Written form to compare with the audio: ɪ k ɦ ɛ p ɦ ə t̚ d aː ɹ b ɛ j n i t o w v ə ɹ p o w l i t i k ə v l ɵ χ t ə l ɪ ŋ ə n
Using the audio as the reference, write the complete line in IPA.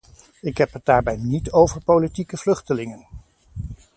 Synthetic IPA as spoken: ɪ k ɦ ɛ p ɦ ə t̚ d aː ɹ b ɛ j n i t o w v ə ɹ p o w l i t i k ə v l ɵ χ t ə l ɪ ŋ ə n